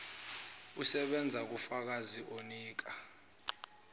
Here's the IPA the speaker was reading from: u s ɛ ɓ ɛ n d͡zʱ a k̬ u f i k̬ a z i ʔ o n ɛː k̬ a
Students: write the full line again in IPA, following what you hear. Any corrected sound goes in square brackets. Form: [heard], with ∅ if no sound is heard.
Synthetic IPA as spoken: u s ɛ ɓ ɛ n d͡zʱ a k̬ u f [a] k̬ a z i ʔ o n [iː] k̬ a